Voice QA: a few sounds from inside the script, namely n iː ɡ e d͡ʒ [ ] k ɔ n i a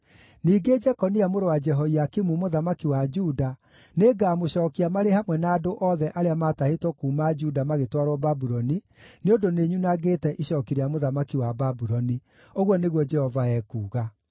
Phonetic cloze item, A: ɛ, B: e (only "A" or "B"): A